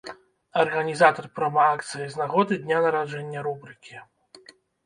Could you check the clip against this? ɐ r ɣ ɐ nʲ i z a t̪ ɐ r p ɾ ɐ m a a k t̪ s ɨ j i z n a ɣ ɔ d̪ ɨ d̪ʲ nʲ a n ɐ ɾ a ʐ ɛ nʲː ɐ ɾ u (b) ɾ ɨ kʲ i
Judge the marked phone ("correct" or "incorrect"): correct